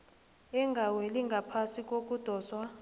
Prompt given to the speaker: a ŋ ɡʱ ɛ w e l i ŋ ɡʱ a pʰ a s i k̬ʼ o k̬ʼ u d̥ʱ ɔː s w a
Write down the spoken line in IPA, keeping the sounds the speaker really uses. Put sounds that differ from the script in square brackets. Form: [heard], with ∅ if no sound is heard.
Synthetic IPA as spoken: [ɛ] ŋ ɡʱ [a] w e l i ŋ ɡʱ a pʰ a s i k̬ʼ o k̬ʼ u d̥ʱ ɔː s w a

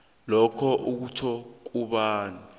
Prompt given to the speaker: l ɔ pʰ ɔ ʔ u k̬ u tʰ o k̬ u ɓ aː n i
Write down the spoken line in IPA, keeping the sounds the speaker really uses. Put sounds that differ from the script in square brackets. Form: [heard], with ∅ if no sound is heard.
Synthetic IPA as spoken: l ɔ [kʰ] ɔ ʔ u k̬ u tʰ [ɔ] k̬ u ɓ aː n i

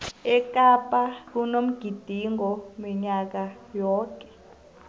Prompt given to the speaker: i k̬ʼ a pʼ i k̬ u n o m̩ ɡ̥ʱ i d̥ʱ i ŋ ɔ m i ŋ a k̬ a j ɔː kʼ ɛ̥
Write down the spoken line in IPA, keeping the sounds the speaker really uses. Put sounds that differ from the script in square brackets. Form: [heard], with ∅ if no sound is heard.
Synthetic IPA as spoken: [ɛ] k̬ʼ a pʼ [a] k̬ u n o m̩ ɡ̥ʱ i d̥ʱ i ŋ ɔ m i [ɲ] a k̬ a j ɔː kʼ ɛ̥

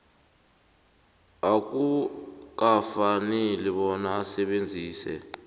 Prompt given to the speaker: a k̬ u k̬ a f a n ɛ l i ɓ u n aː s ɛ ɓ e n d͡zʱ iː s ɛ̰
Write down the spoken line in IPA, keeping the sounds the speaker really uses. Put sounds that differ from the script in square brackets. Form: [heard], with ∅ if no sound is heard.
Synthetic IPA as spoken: a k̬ u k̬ a f a n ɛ l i ɓ [ɔ] n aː s ɛ ɓ e n d͡zʱ iː s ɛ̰

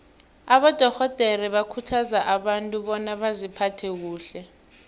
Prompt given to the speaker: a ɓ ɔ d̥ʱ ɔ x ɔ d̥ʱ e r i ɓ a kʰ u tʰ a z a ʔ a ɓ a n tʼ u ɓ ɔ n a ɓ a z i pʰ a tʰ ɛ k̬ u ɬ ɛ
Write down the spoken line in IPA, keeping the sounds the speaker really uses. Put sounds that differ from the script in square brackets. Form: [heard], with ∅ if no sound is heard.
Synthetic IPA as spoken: a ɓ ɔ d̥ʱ ɔ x ɔ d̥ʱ e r i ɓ a kʰ u tʰ a z a ʔ a ɓ a n tʼ u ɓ ɔ n a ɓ a z i pʰ a tʰ ɛ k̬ [uː] ɬ ɛ

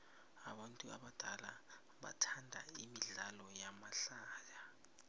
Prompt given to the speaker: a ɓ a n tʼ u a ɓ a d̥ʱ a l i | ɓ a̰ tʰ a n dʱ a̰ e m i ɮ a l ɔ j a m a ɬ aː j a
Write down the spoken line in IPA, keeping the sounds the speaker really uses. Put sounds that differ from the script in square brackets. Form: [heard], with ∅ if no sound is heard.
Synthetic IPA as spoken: a ɓ a n tʼ u a ɓ a d̥ʱ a l [a] | ɓ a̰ tʰ a n dʱ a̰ [i] m i ɮ a l ɔ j a m a ɬ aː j a

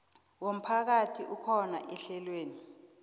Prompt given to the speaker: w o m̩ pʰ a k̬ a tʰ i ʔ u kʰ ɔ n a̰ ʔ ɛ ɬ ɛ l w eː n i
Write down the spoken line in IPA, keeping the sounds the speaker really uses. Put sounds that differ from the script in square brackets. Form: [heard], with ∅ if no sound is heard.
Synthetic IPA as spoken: w o m̩ pʰ a k̬ a tʰ i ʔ u kʰ ɔ n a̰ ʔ ɛ ɬ ɛ l w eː n i

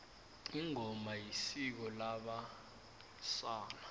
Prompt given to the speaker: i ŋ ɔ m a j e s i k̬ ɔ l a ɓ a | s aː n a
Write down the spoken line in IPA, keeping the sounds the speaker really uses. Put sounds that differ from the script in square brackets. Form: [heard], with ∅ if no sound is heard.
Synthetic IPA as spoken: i ŋ ɔ m a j [i] s i k̬ ɔ l a ɓ a | s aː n a

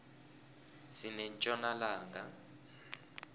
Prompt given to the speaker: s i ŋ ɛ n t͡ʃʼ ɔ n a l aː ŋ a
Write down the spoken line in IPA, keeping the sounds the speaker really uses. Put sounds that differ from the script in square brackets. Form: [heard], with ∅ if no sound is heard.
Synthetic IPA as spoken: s i [n] ɛ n t͡ʃʼ ɔ n a l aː ŋ a

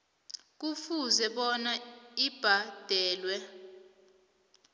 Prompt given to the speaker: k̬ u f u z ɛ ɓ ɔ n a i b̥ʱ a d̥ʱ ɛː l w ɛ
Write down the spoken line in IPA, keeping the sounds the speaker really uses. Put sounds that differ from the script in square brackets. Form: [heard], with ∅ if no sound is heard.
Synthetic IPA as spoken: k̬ u f u z ɛ ɓ ɔ n a i b̥ʱ a d̥ʱ ɛː l w ɛ

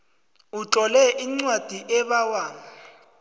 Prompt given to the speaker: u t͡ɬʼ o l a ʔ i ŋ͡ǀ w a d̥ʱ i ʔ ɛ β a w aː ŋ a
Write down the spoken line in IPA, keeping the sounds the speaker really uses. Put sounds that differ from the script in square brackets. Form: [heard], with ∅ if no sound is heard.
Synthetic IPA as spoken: u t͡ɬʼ [ɔ] l [ɛ] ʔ i ŋ͡ǀ w a d̥ʱ i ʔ ɛ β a w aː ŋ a

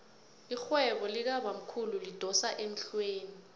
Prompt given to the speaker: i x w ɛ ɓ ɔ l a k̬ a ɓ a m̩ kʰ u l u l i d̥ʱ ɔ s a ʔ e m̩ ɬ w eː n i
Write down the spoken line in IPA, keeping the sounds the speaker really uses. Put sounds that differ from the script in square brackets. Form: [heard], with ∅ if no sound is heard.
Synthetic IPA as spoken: i x w ɛ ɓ ɔ l [i] k̬ a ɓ a m̩ kʰ u l u l i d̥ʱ ɔ s a ʔ e m̩ ɬ w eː n i

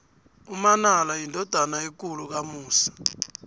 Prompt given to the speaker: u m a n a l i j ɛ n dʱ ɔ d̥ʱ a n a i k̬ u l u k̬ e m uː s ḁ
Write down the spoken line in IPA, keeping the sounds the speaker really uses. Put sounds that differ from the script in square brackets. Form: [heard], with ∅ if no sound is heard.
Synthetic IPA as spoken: u m a n a l [a] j [i] n dʱ ɔ d̥ʱ a n a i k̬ u l u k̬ [a] m uː s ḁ

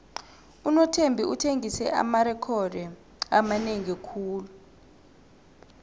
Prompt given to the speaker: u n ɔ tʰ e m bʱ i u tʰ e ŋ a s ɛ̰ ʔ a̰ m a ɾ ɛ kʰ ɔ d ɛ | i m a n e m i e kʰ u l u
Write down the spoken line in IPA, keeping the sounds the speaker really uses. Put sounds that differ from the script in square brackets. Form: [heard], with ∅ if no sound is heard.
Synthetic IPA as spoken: u n ɔ tʰ e m bʱ i u tʰ e ŋ [i] s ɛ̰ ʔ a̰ m a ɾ ɛ kʰ ɔ d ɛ | [a] m a n e [ŋ] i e kʰ [uː] l u

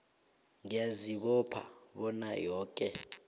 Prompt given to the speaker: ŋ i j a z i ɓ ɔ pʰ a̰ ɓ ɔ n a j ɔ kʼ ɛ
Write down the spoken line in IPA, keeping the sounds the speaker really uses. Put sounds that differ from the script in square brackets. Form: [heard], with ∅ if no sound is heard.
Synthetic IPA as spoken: ŋ i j a z i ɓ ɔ pʰ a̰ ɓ ɔ n a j [ɔː] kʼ ɛ

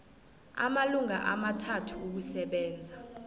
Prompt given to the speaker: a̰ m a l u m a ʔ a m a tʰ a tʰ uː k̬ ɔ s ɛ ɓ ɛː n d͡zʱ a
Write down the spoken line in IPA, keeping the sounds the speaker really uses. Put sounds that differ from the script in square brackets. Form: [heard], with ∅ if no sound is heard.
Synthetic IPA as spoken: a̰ m a l u [ŋ] a ʔ a m a tʰ a tʰ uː k̬ [u] s ɛ ɓ ɛː n d͡zʱ a

